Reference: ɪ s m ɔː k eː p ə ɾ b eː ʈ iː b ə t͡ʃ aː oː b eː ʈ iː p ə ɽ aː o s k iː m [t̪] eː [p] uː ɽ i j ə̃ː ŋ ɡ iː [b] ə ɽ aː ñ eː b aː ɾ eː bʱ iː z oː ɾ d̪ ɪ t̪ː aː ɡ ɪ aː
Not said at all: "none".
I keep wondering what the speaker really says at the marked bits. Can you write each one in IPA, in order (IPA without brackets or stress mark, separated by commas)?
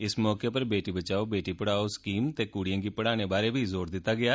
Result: t̪, k, p